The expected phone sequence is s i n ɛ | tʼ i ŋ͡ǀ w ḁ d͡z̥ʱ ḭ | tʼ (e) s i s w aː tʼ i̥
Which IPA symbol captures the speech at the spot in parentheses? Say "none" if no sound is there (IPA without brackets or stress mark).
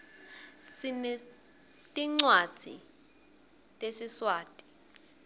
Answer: e